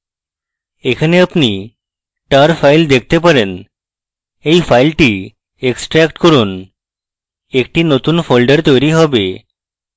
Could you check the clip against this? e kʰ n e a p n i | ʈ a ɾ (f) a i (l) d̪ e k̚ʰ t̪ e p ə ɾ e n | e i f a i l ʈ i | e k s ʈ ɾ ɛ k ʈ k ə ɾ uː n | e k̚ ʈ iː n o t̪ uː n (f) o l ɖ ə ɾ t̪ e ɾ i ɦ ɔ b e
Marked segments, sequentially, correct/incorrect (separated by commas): correct, correct, correct